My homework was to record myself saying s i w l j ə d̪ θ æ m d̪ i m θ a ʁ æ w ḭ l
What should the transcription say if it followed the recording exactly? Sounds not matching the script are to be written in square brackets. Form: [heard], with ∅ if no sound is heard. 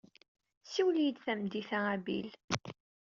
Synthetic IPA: s i w l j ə d̪ θ æ m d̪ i [∅] θ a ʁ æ [b] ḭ l